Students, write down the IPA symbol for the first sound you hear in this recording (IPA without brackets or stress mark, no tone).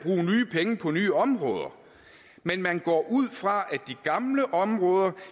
b̥